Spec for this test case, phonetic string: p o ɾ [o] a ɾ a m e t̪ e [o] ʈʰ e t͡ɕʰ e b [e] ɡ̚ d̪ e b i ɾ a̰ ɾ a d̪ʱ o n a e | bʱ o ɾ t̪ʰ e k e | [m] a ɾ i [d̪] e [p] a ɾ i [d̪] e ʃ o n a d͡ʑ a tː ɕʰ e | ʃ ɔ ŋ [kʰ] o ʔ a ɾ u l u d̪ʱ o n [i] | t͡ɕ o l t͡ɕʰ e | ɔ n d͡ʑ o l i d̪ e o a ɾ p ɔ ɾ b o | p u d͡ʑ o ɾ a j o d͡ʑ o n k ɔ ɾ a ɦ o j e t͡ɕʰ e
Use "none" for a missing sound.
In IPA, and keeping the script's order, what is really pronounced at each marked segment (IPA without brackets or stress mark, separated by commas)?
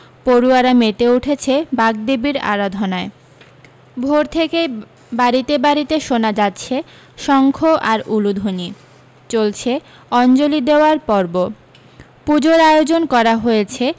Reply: u, u, a, b, t̪, b, t̪, kʰ, i